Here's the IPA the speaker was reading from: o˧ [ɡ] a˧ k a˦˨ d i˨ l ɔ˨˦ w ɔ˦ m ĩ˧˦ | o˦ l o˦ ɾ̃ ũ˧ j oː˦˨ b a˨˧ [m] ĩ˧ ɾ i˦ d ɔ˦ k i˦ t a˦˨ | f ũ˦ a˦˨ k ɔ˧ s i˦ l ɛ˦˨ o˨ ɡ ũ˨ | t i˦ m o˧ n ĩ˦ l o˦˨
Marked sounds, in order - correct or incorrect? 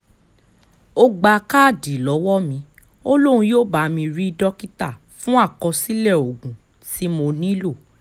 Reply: incorrect: ɡ͡b, correct

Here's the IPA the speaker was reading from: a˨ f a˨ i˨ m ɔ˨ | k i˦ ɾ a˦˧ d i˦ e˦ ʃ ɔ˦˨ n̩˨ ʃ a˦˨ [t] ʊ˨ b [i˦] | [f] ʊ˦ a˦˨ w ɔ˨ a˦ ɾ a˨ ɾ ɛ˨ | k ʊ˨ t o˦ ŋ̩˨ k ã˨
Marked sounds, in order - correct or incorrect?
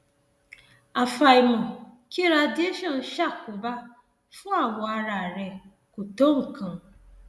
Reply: incorrect: k, incorrect: a˦, correct

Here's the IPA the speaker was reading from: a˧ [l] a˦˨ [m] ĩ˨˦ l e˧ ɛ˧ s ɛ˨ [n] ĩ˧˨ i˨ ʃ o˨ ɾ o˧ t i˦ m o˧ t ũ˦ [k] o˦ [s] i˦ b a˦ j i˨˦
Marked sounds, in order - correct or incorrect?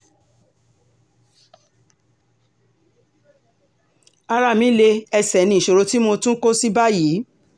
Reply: incorrect: ɾ, correct, correct, correct, correct

